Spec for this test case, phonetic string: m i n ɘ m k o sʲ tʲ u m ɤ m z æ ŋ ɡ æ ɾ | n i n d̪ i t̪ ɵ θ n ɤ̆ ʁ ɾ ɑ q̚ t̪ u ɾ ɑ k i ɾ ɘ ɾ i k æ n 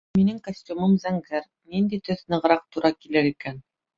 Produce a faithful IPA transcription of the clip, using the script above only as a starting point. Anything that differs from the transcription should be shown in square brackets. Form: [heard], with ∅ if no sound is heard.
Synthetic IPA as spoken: m i n ɘ [ŋ] k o sʲ tʲ u m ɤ m z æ ŋ ɡ æ ɾ | n i n d̪ i t̪ ɵ θ n ɤ̆ ʁ ɾ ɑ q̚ t̪ u ɾ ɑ k i [l] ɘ ɾ i k æ n